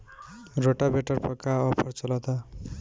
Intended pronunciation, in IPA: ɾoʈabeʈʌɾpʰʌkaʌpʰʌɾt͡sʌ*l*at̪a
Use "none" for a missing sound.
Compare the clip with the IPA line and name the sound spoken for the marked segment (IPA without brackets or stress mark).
l